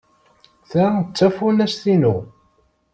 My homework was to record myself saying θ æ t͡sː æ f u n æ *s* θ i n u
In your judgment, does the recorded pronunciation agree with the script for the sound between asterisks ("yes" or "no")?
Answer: yes